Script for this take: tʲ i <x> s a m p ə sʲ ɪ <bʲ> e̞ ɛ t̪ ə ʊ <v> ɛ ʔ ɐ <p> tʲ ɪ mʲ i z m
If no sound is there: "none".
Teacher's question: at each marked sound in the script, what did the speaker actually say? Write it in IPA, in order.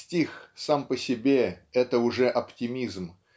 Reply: x, bʲ, ʐ, p

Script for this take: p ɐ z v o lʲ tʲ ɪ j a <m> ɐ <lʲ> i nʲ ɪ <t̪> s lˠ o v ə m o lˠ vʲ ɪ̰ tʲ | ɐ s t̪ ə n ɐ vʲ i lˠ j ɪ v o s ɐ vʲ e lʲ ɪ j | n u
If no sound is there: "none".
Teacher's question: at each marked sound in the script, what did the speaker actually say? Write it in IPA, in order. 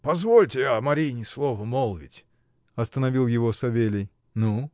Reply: m, ɾʲ, none

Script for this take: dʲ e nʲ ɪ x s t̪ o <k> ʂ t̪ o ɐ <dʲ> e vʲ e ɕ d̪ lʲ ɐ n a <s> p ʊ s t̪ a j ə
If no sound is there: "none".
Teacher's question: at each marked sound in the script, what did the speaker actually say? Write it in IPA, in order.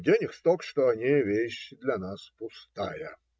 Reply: k, nʲ, s

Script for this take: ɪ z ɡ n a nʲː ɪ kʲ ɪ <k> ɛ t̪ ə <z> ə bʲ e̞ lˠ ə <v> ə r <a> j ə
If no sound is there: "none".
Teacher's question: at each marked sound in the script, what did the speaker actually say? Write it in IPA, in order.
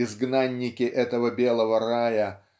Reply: ʔ, v, v, a

